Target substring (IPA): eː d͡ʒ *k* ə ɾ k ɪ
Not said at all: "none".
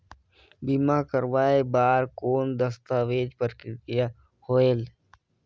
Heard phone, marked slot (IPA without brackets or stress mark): p